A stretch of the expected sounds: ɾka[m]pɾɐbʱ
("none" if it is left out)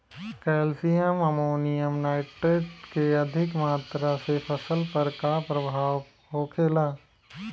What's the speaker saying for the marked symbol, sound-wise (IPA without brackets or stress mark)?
none